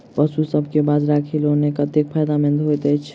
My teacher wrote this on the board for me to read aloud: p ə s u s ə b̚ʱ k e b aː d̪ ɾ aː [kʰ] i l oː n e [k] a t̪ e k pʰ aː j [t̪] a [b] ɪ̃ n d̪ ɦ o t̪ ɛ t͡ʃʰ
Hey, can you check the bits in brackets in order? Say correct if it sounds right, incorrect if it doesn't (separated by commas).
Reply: correct, correct, incorrect, incorrect